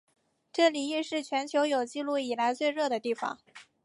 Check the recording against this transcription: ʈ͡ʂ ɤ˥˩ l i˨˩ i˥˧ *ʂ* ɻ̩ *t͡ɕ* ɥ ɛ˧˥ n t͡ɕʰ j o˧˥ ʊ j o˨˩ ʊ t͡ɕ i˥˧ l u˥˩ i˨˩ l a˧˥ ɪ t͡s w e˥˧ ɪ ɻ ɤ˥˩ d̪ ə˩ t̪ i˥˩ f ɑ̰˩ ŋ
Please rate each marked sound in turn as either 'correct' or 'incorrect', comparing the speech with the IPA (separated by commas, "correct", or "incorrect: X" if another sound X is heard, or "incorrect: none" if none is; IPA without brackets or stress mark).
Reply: correct, incorrect: t͡ɕʰ